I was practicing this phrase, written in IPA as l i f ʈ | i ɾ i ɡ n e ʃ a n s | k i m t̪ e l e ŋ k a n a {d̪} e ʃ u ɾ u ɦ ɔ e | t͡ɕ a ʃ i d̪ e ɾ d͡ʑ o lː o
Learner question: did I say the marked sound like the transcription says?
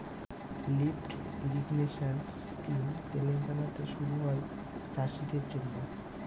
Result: no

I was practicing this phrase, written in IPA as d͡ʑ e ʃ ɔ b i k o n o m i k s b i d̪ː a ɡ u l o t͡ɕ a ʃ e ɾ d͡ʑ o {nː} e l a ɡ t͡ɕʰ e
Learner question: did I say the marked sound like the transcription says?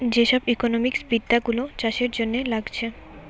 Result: yes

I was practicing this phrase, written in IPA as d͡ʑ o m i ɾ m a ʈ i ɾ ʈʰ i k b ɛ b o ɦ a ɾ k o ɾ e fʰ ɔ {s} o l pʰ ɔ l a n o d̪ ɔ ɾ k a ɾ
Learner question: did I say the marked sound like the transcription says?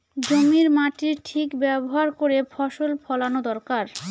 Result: no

